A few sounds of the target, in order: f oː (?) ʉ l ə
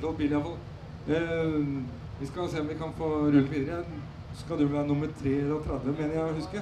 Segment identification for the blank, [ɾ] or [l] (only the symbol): ɾ